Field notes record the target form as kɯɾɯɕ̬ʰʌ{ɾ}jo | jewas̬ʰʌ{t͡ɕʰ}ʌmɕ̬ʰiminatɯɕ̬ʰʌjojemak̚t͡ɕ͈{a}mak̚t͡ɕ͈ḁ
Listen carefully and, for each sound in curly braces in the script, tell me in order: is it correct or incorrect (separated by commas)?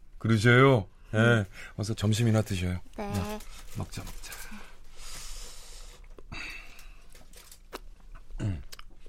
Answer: incorrect, incorrect, correct